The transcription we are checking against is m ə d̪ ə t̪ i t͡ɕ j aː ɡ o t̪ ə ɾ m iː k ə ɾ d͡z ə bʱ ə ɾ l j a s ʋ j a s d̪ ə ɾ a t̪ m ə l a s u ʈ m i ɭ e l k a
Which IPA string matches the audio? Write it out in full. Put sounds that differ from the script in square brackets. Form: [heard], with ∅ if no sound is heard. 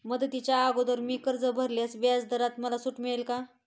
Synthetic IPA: m ə d̪ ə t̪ i t͡ɕ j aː ɡ o [d̪] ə ɾ m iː k ə ɾ d͡z ə bʱ ə ɾ l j a s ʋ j a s d̪ ə ɾ a t̪ m ə l a s u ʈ m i ɭ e l k a